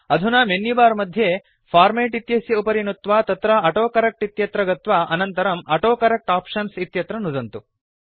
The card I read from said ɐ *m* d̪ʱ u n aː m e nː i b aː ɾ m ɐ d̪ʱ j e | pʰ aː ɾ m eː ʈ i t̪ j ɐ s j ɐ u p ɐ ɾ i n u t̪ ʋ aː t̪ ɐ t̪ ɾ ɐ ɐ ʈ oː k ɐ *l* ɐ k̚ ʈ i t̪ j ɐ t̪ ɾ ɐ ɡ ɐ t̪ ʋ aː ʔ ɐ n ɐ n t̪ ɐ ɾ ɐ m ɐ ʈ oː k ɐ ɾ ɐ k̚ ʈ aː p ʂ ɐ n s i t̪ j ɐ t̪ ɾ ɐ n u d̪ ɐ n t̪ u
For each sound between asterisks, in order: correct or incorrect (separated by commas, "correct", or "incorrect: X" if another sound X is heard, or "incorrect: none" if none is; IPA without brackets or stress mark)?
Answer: incorrect: none, incorrect: ɾ